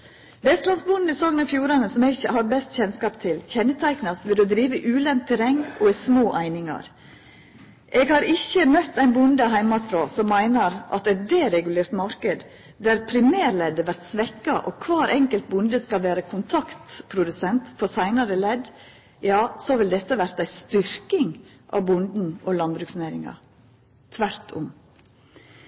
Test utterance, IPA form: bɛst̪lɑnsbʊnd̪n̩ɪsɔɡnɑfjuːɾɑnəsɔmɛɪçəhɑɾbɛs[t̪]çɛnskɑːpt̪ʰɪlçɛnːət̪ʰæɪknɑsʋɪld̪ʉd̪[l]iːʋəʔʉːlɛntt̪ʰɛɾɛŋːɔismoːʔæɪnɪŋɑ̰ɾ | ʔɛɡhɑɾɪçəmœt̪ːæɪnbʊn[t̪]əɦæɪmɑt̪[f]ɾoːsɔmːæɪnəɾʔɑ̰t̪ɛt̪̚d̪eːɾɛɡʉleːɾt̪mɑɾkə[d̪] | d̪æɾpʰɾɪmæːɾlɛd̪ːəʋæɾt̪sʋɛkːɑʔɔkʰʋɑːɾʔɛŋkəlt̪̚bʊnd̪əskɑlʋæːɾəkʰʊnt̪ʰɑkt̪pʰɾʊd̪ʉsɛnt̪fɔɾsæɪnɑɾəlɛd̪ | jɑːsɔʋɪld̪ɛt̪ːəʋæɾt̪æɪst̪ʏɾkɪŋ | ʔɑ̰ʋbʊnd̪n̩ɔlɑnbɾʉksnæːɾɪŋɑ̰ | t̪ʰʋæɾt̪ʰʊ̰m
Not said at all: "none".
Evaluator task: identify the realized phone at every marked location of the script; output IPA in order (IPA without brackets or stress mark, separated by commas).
t̪, ɾ, d̪, f, d̪